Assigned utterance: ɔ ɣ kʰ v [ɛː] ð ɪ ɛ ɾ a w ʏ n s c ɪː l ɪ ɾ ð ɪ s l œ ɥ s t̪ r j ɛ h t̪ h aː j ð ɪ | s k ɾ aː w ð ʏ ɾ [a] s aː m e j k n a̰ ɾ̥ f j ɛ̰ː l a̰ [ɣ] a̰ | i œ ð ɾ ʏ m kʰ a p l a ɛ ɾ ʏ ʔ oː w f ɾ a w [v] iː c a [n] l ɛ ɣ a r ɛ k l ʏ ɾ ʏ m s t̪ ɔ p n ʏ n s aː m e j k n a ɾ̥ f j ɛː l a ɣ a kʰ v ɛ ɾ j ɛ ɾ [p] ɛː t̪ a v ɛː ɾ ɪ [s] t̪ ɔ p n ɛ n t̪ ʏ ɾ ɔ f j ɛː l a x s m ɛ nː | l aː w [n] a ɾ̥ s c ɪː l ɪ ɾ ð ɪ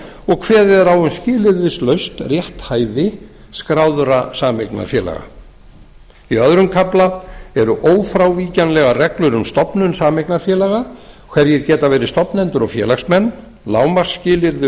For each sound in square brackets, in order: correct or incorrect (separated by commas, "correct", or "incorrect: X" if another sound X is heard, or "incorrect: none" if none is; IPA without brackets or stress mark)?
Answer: correct, correct, correct, correct, correct, incorrect: c, correct, incorrect: m